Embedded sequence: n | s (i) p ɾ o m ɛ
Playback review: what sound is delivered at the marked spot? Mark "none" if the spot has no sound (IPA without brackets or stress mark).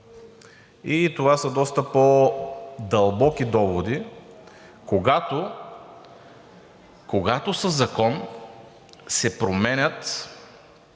ɛ